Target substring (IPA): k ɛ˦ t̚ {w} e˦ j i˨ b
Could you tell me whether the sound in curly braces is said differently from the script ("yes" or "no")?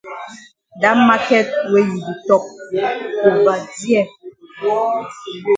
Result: no